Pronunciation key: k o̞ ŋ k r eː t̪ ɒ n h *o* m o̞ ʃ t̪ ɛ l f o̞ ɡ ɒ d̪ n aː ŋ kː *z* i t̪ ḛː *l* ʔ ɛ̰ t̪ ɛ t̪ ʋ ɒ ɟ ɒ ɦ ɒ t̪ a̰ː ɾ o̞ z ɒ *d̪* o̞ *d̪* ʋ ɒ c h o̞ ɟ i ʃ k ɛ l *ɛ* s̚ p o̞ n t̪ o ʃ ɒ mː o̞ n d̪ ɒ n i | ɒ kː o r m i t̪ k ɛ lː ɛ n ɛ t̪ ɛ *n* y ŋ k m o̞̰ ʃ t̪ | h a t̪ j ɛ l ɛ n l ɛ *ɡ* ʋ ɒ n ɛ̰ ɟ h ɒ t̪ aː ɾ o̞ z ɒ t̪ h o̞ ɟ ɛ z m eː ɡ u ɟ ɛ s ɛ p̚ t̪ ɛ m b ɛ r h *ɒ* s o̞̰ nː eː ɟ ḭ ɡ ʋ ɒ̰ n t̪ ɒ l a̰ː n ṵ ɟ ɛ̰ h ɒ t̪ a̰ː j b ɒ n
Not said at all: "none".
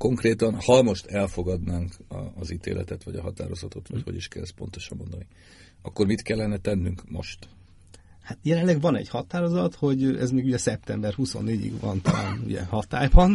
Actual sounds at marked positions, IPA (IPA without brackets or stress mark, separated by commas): ɒ, z, l, t̪, t̪, ɛ, nː, ɡ, u